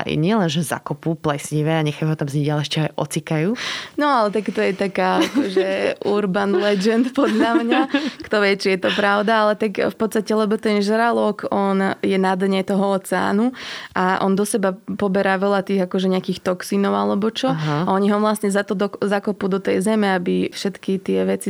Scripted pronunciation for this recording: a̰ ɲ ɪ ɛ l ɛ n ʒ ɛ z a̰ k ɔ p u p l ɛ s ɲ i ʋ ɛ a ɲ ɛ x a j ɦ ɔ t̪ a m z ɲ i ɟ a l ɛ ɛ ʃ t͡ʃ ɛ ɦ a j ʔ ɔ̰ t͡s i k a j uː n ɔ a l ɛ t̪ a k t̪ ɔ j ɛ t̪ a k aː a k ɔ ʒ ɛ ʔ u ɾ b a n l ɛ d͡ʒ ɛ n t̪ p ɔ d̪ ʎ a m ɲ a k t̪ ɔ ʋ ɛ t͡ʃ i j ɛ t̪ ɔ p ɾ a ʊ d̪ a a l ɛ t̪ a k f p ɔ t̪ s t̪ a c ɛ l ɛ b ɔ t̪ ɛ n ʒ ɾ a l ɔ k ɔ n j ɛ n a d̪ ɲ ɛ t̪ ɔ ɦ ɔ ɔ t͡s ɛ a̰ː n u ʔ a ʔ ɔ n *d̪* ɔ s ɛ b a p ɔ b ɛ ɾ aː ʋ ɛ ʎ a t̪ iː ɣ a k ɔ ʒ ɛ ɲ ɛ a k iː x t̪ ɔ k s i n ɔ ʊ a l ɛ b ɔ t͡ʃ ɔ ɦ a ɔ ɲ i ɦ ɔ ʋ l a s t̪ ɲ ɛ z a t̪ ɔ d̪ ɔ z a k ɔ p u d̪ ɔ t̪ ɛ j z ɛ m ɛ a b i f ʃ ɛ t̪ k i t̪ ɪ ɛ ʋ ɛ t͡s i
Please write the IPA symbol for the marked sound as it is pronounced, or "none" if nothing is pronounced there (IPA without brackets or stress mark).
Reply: d̪